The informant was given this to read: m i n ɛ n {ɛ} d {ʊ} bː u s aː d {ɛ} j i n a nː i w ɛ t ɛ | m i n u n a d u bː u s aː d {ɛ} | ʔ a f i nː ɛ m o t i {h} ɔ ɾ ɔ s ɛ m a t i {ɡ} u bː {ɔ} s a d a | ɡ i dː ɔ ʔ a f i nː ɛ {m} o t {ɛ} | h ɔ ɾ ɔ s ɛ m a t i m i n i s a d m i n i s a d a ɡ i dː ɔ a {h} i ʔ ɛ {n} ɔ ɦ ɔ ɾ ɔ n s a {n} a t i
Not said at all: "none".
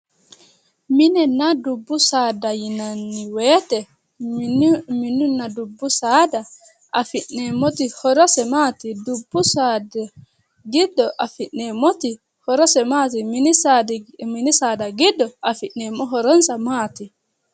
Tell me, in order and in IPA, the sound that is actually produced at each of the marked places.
a, u, a, a, h, d, u, m, i, f, m, m

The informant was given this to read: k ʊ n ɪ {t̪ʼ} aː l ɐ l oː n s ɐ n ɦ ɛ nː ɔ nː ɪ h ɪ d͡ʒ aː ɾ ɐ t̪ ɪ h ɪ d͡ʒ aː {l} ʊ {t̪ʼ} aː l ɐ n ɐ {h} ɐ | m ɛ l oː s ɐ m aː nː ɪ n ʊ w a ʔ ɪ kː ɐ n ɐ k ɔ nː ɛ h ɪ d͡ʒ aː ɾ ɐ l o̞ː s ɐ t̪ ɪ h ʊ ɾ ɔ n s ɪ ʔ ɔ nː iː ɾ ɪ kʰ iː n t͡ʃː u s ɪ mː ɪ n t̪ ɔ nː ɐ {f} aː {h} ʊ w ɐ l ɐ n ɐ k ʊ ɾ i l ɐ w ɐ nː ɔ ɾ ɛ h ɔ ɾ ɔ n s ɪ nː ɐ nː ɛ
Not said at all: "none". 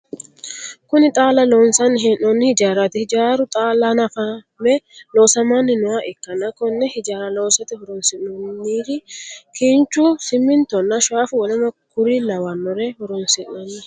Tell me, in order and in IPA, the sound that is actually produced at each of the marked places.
t̪ʼ, ɾ, t̪ʼ, f, ʃ, f

